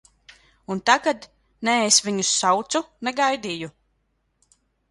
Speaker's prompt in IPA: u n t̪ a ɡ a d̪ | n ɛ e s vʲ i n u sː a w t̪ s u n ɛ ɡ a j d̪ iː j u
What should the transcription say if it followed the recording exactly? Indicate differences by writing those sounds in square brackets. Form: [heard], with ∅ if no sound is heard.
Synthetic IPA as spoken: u n t̪ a ɡ a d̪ | n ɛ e s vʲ i [ɲ] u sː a w t̪ s u n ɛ ɡ a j d̪ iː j u